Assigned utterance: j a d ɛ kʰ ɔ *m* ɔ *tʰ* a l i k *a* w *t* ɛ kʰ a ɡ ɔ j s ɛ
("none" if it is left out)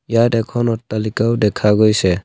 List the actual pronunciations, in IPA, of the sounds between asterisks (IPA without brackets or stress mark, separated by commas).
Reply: n, t, a, d